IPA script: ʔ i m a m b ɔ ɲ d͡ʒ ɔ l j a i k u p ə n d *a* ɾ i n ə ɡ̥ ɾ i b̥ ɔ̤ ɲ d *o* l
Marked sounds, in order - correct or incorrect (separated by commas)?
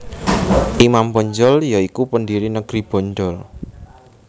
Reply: incorrect, incorrect